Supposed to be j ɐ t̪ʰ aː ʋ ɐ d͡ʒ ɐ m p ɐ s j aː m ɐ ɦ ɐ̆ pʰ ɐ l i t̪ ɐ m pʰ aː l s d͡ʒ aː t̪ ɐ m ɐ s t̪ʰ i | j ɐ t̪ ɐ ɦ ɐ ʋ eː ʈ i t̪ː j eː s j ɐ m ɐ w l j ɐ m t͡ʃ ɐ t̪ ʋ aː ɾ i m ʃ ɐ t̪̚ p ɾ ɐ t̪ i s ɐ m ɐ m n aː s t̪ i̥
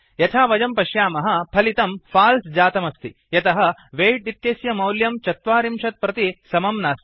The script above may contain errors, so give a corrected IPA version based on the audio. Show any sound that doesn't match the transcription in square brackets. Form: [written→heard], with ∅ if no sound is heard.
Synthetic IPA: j ɐ t̪ʰ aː ʋ ɐ d͡ʒ ɐ m p ɐ [s→ʃ] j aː m ɐ ɦ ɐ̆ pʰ ɐ l i t̪ ɐ m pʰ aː l s d͡ʒ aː t̪ ɐ m ɐ s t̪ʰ i | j ɐ t̪ ɐ ɦ ɐ ʋ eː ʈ i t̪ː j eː s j ɐ m ɐ w l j ɐ m t͡ʃ ɐ t̪ ʋ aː ɾ i m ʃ ɐ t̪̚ p ɾ ɐ t̪ i s ɐ m ɐ m n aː s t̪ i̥